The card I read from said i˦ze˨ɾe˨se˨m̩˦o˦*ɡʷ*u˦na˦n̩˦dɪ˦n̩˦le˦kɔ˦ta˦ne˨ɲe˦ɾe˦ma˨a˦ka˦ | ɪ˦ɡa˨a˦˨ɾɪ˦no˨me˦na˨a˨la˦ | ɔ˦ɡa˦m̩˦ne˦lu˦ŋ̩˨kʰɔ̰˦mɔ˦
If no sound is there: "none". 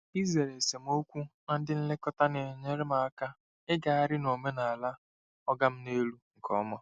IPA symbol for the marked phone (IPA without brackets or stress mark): kʷ